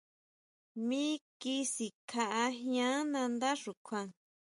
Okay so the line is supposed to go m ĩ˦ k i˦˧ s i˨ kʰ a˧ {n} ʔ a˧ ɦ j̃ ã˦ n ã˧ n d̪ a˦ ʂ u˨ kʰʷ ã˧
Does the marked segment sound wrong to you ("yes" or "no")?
yes